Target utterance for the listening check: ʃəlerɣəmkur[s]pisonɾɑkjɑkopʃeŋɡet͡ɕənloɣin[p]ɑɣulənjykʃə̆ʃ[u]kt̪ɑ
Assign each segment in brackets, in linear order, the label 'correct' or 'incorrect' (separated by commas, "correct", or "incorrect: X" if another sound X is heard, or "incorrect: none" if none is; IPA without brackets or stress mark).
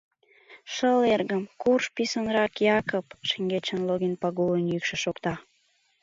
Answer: incorrect: ʃ, correct, incorrect: o